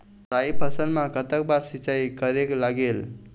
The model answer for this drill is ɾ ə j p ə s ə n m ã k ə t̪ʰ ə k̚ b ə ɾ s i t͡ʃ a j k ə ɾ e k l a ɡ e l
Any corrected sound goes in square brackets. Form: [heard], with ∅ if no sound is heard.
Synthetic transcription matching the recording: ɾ [a] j p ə s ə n m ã k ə [t̪] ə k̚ b [a] ɾ s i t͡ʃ a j k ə ɾ e k l a ɡ e l